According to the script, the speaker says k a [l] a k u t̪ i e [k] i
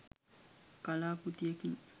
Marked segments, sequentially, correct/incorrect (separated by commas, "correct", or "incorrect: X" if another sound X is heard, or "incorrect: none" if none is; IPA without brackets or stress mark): correct, correct